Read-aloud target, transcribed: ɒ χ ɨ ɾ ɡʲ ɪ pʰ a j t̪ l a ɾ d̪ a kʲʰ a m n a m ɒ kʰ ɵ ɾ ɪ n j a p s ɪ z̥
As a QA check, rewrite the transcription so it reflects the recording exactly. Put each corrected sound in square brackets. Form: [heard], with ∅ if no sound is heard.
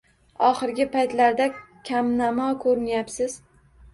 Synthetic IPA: ɒ χ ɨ ɾ ɡʲ ɪ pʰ a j t̪ l a ɾ d̪ a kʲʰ a m n a m ɒ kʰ ɵ ɾ ɪ n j a p s ɪ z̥